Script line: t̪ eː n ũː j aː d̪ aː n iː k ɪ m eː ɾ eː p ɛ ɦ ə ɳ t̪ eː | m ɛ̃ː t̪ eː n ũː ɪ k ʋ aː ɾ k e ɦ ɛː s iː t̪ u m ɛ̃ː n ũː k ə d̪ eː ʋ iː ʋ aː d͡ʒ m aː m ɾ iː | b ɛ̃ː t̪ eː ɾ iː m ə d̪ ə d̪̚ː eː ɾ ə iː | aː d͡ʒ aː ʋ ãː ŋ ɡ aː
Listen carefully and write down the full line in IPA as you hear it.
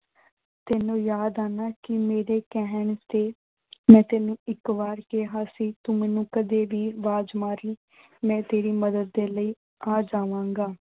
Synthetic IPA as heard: t̪ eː n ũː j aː d̪ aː n aː k ɪ m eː ɾ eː k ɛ ɦ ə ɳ t̪ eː | m ɛ̃ː t̪ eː n ũː ɪ k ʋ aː ɾ k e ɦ aː s iː t̪ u m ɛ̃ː n ũː k ə d̪ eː ʋ iː ʋ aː d͡ʒ m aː ɾ iː | m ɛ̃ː t̪ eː ɾ iː m ə d̪ ə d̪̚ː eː l ə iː | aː d͡ʒ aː ʋ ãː ŋ ɡ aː

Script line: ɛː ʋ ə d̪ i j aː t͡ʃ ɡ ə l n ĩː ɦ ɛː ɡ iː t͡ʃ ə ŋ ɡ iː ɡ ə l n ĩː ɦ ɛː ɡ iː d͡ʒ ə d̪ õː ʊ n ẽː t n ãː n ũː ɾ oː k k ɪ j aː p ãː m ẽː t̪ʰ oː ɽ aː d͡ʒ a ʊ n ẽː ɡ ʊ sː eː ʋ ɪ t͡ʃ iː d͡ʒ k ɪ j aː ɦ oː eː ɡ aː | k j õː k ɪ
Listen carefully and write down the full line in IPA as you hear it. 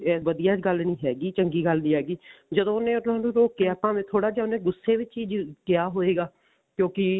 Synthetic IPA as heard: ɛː ʋ ə d̪ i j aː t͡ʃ ɡ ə l n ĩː ɦ ɛː ɡ iː t͡ʃ ə ŋ ɡ iː ɡ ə l n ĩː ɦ ɛː ɡ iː d͡ʒ ə d̪ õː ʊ n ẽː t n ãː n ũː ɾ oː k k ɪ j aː p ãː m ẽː t̪ʰ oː ɽ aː d͡ʒ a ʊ n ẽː ɡ ʊ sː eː ʋ ɪ t͡ʃ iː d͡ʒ k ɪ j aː ɦ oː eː ɡ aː | k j õː k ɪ

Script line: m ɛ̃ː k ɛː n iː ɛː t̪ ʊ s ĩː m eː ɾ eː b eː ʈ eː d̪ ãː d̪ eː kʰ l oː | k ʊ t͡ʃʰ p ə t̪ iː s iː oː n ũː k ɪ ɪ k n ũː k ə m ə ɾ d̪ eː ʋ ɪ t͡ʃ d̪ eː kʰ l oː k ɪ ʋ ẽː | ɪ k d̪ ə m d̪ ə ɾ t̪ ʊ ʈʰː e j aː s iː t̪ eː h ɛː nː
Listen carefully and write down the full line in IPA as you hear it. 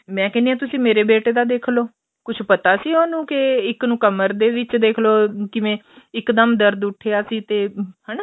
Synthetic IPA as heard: m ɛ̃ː k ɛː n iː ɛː t̪ ʊ s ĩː m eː ɾ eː b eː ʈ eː d̪ aː d̪ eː kʰ l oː | k ʊ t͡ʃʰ p ə t̪ aː s iː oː n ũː k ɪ ɪ k n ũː k ə m ə ɾ d̪ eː ʋ ɪ t͡ʃ d̪ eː kʰ l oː k ɪ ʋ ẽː | ɪ k d̪ ə m d̪ ə ɾ d̪ ʊ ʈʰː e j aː s iː t̪ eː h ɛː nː

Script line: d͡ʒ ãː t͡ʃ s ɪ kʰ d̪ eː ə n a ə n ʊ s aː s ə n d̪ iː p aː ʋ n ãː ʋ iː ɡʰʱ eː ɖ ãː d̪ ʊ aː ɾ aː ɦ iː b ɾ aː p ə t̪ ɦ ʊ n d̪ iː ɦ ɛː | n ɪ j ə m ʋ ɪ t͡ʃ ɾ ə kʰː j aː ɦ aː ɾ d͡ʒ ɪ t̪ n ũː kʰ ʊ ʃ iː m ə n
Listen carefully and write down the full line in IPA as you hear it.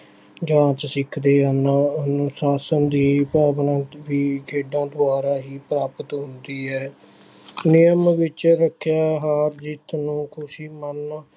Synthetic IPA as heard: d͡ʒ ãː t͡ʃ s ɪ kʰ d̪ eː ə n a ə n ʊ s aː s ə n d̪ iː p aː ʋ n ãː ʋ iː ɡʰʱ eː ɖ ãː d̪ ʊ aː ɾ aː ɦ iː p ɾ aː p ə t̪ ɦ ʊ n d̪ iː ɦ ɛː | n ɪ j ə m ʋ ɪ t͡ʃ ɾ ə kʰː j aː ɦ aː ɾ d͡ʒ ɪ t̪ n ũː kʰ ʊ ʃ iː m ə n

